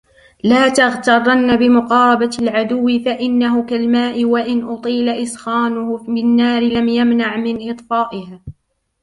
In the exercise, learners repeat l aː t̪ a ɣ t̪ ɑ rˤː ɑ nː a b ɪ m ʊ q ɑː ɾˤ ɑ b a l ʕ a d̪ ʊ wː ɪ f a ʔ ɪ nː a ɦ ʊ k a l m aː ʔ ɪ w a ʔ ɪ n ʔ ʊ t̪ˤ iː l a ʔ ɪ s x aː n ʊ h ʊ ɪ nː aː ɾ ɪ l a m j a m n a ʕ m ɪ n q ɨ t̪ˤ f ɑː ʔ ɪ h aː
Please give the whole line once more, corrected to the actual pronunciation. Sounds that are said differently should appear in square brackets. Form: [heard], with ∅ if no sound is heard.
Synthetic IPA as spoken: l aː t̪ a ɣ t̪ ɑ rˤː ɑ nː a b ɪ m ʊ q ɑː ɾˤ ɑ b a l ʕ a d̪ ʊ wː ɪ f a ʔ ɪ nː a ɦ ʊ k a l m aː ʔ ɪ w a ʔ ɪ n ʔ ʊ t̪ˤ iː l a ʔ ɪ s x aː n ʊ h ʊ ɪ nː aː ɾ ɪ l a m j a m n a ʕ m ɪ n [ʔ] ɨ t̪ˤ f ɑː ʔ ɪ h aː